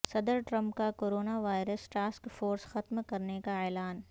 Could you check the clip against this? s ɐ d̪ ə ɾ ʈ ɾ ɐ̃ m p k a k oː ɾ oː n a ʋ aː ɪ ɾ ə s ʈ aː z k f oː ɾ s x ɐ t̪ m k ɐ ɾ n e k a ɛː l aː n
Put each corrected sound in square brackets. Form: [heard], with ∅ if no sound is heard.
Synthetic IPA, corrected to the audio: s ɐ d̪ ə ɾ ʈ ɾ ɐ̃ m p k a k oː ɾ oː n a ʋ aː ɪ ɾ ə s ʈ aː [s] k f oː ɾ s x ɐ t̪ m k ɐ ɾ n e k a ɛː l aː n